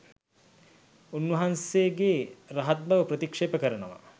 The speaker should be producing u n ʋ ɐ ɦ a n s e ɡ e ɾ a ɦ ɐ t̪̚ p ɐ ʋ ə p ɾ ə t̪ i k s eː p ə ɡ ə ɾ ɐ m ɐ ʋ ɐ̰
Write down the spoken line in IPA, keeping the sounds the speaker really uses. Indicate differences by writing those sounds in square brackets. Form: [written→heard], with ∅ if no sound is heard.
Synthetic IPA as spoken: u n ʋ ɐ ɦ a n s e ɡ e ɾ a ɦ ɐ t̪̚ [p→b] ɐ ʋ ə p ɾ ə t̪ i k [s→ʂ] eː p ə [ɡ→k] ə ɾ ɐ [m→n] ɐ ʋ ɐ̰